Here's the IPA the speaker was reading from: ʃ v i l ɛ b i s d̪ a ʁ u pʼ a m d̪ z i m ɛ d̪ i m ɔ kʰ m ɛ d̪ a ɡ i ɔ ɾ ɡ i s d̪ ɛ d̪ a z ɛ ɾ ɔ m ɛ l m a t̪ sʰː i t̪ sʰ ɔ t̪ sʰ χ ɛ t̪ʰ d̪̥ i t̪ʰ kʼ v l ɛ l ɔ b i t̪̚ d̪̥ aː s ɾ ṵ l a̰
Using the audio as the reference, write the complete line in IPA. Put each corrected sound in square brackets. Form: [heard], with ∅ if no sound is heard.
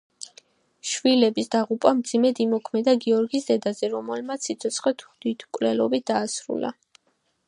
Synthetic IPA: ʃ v i l ɛ b i s d̪ a ʁ u pʼ a m d̪ z i m ɛ d̪ i m ɔ kʰ m ɛ d̪ a ɡ i ɔ ɾ ɡ i s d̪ ɛ d̪ a z ɛ ɾ ɔ m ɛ l m a t̪ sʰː i t̪ sʰ ɔ t̪ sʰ χ ɛ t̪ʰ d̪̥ i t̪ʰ kʼ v l ɛ l ɔ b i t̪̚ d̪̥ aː s ɾ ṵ l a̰